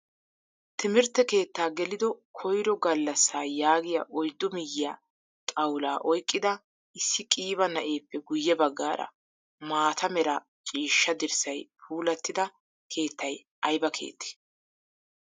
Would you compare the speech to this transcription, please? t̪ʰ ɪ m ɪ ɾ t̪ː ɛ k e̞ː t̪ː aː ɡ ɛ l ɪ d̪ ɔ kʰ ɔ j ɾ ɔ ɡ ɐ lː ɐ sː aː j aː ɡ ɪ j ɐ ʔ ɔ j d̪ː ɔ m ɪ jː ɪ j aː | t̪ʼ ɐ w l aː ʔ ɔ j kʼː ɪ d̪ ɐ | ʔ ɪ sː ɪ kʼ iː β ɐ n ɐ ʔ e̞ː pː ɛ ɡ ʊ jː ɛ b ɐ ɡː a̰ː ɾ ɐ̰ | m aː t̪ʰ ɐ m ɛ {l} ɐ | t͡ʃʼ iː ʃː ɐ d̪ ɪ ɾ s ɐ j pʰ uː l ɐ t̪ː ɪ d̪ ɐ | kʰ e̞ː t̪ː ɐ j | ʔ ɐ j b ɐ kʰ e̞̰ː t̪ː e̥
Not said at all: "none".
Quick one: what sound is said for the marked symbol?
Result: ɾ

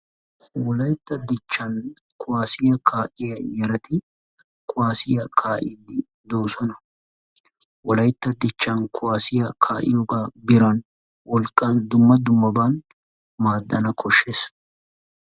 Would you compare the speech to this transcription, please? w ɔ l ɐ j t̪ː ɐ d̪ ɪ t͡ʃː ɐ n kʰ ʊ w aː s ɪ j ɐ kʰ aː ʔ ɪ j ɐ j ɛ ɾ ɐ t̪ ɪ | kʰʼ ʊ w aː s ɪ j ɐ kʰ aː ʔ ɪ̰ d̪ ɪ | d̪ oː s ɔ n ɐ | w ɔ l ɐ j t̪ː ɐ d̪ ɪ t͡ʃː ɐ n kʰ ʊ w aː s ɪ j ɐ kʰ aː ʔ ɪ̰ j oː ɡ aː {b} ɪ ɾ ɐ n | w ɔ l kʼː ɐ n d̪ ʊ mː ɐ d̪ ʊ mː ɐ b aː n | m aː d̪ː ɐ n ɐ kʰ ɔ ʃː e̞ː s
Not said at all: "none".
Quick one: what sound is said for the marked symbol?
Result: b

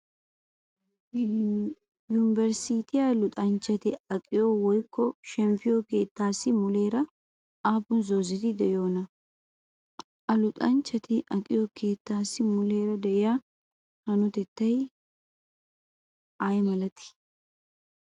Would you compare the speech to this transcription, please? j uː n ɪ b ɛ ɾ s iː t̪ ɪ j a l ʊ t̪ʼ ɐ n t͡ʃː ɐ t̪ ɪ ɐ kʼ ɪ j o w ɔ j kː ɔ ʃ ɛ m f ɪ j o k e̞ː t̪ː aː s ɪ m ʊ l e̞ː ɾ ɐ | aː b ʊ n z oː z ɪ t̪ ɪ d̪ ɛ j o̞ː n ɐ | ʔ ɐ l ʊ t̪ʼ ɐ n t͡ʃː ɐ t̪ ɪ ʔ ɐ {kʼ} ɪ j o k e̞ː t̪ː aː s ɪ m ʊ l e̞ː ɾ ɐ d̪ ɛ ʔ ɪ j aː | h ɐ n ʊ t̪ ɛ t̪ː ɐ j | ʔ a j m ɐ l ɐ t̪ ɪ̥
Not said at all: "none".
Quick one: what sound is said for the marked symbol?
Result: kʼ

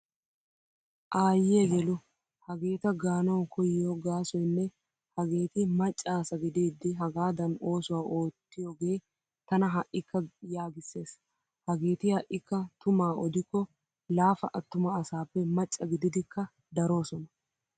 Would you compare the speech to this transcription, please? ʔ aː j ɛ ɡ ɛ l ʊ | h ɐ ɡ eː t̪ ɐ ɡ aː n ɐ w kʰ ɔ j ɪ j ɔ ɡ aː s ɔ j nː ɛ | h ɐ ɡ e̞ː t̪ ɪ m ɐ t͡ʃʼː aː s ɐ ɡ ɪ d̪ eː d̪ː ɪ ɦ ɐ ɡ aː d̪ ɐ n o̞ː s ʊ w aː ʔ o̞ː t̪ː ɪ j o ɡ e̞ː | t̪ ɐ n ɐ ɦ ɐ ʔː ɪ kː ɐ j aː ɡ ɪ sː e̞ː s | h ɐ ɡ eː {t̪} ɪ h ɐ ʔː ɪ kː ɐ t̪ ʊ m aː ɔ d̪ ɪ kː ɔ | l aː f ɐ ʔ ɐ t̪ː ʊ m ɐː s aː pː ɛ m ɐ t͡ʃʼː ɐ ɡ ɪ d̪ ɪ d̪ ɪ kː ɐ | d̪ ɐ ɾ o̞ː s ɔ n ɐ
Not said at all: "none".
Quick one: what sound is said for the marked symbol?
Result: t̪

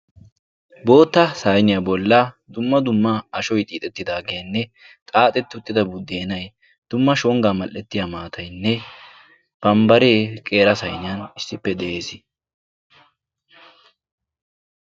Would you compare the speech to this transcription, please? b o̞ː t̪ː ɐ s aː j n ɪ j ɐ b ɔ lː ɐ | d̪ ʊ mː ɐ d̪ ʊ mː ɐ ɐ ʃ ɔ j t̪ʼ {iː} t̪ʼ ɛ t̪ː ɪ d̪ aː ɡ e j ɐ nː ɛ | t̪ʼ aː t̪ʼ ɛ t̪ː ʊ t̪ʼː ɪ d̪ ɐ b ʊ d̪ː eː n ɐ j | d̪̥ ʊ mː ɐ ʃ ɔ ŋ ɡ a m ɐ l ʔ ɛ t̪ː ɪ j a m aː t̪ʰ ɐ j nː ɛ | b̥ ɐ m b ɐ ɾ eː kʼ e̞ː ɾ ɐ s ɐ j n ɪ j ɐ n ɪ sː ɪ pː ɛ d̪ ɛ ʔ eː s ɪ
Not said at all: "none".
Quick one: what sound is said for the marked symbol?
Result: iː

